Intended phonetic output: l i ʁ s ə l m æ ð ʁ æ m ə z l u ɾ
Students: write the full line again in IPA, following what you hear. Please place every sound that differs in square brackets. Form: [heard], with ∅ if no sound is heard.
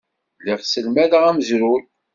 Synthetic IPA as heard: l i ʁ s ə l m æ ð ʁ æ m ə z [ɾ] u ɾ